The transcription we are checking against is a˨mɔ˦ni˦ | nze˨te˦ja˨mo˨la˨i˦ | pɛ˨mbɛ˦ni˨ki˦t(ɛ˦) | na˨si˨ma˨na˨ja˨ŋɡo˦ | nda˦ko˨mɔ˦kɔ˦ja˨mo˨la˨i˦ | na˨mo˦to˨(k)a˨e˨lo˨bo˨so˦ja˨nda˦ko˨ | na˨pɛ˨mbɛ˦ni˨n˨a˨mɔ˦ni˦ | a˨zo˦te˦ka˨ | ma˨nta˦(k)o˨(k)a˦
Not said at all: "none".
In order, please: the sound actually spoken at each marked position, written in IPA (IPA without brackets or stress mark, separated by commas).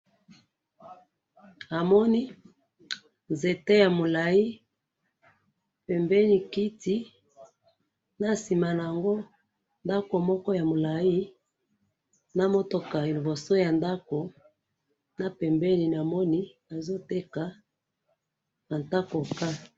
i˦, k, k, k